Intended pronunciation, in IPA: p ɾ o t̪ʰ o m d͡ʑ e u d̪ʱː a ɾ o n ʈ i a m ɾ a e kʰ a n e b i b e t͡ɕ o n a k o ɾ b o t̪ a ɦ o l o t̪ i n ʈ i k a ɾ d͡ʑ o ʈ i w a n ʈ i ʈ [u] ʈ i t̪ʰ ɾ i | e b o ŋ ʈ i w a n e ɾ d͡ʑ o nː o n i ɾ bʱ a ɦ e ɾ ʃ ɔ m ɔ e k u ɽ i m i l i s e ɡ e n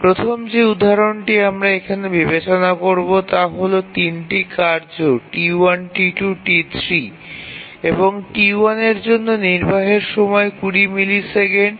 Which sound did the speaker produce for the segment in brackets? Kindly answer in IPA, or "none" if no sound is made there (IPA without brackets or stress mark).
u